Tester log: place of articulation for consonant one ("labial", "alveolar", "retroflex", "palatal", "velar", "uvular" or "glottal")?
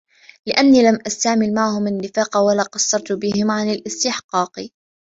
alveolar